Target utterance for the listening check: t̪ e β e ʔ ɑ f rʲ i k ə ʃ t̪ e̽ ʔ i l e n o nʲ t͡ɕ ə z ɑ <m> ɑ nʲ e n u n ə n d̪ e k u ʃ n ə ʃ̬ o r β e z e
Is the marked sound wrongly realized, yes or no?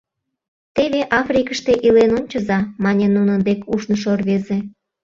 no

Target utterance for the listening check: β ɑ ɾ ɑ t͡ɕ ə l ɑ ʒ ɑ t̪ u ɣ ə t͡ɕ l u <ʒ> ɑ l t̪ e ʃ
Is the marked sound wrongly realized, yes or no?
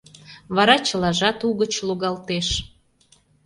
yes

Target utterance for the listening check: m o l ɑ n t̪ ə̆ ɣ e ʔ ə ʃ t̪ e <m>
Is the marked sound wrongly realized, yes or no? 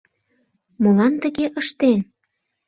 yes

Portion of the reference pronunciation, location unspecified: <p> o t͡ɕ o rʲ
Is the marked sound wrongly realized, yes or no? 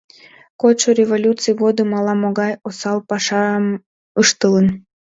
yes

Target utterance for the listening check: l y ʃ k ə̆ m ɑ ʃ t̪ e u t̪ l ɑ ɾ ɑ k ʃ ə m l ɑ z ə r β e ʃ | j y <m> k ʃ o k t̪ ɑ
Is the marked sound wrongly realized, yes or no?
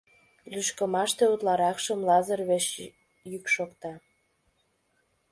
yes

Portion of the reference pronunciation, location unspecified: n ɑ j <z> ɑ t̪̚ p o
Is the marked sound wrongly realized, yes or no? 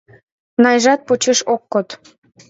yes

